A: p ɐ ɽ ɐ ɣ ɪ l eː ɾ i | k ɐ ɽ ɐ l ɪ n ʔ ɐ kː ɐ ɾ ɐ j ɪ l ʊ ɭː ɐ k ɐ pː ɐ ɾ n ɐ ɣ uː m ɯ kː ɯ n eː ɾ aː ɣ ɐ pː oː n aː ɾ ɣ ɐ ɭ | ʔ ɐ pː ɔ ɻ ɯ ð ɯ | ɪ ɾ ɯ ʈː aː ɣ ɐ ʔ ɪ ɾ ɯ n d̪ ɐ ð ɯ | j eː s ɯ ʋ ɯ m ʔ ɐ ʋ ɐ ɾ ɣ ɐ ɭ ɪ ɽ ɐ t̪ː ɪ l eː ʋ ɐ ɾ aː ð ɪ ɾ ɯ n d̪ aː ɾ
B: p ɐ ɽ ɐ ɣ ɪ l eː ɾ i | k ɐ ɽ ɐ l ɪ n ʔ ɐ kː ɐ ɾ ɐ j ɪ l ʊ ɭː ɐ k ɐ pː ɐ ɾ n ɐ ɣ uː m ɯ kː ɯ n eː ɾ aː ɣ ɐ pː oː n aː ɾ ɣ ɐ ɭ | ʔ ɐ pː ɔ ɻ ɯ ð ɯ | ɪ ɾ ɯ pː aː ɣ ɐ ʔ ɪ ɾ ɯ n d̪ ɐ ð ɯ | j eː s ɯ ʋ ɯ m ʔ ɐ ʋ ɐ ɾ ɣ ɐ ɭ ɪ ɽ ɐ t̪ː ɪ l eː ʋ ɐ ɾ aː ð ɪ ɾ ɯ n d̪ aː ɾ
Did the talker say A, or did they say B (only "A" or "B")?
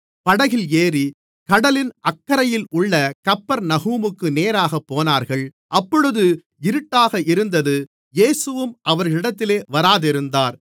A